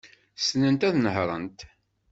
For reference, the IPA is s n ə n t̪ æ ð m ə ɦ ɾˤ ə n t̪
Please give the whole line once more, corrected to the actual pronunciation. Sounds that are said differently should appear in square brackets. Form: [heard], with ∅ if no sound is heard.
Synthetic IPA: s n ə n t̪ æ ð [n] ə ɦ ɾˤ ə n t̪